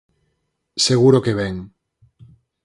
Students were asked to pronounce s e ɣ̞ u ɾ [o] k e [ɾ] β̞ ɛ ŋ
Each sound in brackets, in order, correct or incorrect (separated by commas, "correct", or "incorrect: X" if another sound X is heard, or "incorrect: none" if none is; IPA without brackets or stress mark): correct, incorrect: none